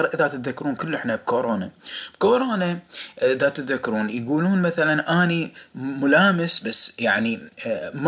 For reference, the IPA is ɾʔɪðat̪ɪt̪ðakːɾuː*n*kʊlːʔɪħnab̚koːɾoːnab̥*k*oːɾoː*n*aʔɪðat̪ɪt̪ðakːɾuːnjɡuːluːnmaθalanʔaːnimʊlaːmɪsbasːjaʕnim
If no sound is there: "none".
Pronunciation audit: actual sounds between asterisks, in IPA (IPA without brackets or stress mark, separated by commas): n, k, n